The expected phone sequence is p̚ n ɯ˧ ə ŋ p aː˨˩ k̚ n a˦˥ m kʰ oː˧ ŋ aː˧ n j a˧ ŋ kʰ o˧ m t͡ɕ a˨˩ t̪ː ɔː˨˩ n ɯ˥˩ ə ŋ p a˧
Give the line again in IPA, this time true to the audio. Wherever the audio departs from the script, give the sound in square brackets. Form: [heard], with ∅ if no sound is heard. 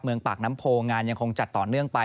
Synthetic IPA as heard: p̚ [m] ɯ˧ ə ŋ p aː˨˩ k̚ n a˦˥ m [pʰ] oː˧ ŋ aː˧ n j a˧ ŋ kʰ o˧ [ŋ] t͡ɕ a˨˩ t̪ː ɔː˨˩ n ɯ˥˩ ə ŋ p a˧